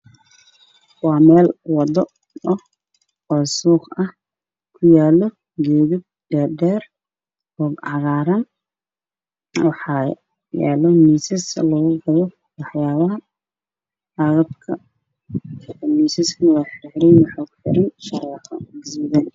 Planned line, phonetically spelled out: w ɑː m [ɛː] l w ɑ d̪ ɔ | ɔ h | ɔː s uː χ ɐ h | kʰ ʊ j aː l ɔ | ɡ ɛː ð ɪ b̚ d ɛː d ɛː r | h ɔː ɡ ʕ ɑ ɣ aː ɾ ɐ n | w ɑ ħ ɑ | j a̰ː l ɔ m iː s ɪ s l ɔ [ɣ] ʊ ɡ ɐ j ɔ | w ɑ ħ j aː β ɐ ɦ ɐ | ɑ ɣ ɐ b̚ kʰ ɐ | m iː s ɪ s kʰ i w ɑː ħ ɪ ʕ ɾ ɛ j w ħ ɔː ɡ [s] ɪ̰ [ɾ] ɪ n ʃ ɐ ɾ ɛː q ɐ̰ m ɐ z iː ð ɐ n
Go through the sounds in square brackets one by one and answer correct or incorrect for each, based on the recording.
correct, correct, incorrect: ħ, correct

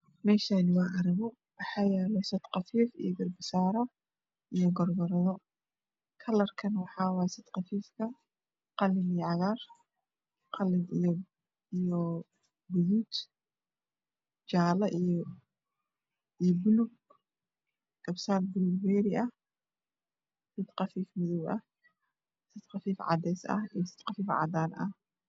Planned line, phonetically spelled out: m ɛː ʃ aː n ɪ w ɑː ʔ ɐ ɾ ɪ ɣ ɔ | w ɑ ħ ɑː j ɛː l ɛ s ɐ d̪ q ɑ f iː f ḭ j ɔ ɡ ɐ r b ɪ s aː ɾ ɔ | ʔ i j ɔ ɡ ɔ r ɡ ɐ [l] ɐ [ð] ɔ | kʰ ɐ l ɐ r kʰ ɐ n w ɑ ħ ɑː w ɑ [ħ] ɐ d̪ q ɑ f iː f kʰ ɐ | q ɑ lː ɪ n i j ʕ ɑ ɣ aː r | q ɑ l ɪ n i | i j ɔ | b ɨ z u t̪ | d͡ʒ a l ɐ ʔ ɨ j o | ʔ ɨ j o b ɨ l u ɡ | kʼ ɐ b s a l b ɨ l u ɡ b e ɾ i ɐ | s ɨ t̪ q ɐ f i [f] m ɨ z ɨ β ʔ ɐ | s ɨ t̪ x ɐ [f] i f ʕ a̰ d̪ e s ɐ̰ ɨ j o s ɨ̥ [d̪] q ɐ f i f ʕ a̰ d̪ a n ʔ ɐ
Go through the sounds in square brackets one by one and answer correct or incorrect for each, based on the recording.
incorrect: ɾ, correct, incorrect: s, correct, correct, incorrect: t̪

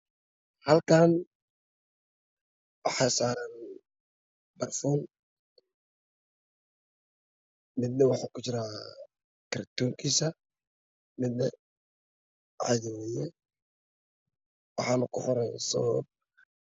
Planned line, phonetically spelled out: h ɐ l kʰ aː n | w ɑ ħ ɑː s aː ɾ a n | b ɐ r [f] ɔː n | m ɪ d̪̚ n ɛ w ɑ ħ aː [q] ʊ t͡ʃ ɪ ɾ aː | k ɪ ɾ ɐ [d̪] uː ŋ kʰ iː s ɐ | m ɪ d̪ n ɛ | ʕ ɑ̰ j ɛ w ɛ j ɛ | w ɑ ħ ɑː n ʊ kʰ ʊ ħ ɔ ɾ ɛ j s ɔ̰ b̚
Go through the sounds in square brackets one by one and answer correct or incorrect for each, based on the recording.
correct, incorrect: k, incorrect: t̪

